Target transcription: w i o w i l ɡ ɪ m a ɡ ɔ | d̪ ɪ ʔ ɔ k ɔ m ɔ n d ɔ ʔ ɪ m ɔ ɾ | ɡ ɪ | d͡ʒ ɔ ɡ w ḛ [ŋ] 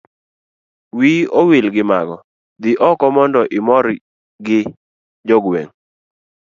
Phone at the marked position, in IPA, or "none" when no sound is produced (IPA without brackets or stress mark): ŋ